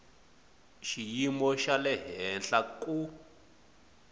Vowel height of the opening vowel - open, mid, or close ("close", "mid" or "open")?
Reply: close